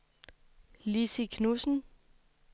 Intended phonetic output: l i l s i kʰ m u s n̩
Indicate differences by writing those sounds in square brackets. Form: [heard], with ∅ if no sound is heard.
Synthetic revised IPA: l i [∅] s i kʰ [n] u s n̩